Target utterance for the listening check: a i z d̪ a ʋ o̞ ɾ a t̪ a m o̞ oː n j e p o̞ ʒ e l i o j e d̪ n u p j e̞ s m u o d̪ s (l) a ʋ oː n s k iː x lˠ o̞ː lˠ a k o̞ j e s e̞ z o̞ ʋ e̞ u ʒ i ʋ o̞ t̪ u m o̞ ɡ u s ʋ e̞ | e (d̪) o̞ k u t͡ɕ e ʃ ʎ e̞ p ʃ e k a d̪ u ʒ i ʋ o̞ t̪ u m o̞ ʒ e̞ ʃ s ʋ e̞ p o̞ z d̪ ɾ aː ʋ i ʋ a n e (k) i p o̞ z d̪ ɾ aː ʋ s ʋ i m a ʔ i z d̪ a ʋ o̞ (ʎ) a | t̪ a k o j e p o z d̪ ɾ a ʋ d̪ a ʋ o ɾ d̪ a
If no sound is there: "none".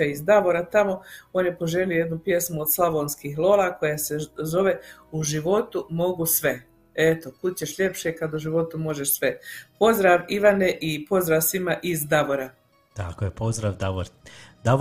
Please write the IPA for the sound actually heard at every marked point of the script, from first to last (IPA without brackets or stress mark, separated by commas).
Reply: l, t̪, ʔ, ɾ